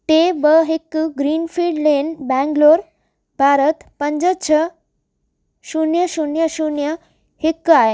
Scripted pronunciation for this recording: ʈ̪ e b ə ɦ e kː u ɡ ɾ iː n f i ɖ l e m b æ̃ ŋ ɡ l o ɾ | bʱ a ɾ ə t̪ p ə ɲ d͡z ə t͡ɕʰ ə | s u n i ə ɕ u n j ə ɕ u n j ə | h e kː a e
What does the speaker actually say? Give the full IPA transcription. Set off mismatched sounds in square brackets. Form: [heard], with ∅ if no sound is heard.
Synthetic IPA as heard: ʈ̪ e b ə ɦ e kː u ɡ ɾ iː n f i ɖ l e [n] b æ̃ ŋ ɡ l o ɾ | bʱ a ɾ ə t̪ p ə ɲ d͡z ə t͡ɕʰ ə | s u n [j] ə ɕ u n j ə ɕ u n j ə | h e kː a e